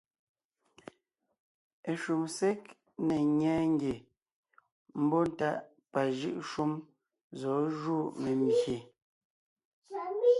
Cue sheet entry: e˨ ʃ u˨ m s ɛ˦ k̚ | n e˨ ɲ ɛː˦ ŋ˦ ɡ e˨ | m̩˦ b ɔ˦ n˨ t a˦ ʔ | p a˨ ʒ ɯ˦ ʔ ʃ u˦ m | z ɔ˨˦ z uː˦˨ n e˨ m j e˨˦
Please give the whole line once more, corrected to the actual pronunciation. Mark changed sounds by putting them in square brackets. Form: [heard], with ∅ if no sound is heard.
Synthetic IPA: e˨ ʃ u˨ m s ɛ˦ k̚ | n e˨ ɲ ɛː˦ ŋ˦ ɡ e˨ | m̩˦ b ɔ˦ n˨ t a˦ ʔ | p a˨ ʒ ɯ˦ ʔ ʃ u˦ m | z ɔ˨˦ [ʒ] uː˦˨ [m] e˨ m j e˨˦